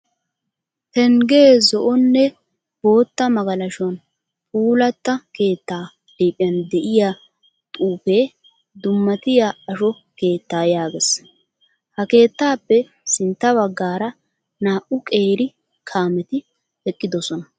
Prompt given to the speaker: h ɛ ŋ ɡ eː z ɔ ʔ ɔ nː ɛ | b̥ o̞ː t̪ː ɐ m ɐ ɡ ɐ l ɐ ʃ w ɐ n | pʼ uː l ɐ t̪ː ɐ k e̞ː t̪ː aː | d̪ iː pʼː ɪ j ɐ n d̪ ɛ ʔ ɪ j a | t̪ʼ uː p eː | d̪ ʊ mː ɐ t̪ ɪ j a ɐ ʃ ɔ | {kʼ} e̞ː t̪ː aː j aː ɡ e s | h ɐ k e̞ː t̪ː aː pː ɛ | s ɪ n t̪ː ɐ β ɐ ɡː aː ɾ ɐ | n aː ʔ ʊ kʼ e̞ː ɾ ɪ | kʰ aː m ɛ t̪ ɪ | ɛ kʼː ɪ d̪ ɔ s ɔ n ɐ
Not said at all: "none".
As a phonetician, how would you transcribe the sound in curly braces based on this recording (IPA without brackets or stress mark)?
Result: k